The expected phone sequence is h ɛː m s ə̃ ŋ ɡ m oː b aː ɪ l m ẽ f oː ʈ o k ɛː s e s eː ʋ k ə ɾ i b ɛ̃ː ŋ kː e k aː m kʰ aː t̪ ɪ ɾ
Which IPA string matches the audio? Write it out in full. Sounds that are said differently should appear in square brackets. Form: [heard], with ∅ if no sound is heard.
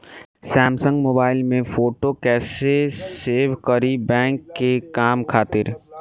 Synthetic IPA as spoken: [s] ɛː m s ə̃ ŋ ɡ m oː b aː ɪ l m ẽ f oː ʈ o k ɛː s e s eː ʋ k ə ɾ i b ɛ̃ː ŋ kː e k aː m kʰ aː t̪ ɪ ɾ